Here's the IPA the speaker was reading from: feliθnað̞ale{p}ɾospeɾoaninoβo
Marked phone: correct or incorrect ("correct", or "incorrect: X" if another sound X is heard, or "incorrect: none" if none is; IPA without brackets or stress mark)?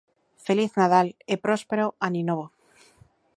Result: correct